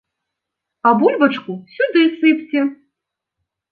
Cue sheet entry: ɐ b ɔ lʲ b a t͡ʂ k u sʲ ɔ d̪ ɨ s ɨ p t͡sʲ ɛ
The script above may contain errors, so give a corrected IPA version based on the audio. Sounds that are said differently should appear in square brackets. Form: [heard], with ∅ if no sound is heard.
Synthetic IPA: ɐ b [u] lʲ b [ɐ] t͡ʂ k u sʲ [u] d̪ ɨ s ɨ p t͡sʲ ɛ